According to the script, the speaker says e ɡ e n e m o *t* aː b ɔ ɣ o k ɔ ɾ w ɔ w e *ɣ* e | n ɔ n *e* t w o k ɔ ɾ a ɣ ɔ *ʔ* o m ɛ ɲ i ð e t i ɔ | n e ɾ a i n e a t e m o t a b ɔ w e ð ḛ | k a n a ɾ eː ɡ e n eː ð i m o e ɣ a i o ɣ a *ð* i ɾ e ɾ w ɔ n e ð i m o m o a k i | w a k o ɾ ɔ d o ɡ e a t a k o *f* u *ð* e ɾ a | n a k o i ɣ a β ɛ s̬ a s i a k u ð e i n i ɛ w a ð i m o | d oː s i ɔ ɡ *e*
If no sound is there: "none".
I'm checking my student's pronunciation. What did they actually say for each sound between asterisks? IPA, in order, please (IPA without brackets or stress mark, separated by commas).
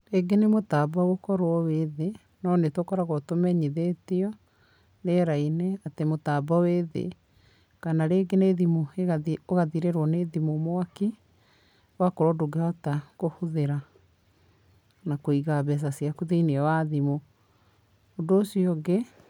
t, ð, e, t, ð, h, ð, e